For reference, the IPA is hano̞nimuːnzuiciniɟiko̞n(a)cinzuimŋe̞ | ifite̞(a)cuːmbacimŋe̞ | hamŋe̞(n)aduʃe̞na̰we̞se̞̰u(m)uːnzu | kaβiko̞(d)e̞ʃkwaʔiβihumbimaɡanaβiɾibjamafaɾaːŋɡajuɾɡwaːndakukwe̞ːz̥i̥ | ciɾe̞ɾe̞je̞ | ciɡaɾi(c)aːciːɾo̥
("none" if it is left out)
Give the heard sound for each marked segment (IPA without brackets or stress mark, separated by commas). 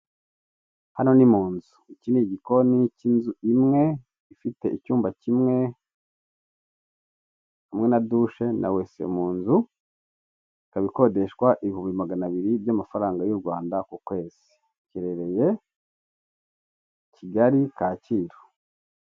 i, i, n, m, d, k